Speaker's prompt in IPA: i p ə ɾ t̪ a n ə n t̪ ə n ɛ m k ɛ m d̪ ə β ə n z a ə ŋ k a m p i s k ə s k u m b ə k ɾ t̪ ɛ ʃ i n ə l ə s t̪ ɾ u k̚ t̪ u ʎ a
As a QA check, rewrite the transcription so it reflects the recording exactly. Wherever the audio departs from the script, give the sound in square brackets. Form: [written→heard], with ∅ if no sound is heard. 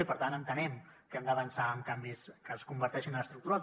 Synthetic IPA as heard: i p ə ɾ t̪ a n ə n t̪ ə n ɛ m k ɛ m d̪ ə β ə n [z→s] a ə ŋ k a m [p→b] i s k ə s k u m b ə [k→∅] ɾ t̪ ɛ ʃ i n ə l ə s t̪ ɾ u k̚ t̪ u [ʎ→ɾ] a